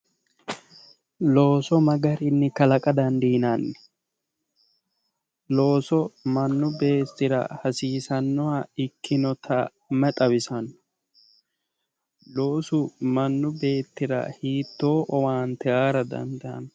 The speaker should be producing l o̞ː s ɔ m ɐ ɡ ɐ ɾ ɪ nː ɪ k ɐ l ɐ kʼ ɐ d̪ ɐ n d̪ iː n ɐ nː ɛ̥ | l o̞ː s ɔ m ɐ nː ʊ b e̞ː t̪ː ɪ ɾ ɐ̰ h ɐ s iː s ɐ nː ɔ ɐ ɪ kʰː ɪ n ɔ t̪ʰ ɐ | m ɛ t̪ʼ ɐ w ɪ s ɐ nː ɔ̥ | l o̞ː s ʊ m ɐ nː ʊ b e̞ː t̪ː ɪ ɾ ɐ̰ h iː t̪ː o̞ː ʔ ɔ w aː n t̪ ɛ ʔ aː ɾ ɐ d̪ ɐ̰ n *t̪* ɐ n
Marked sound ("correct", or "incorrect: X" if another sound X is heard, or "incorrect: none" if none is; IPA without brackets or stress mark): incorrect: d̪